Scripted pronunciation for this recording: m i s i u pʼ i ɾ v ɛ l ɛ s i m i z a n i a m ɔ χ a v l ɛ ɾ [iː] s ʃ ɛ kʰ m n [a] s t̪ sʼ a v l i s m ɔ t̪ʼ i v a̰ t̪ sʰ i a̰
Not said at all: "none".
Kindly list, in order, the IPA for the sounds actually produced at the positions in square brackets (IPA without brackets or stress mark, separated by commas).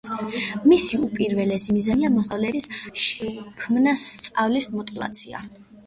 i, a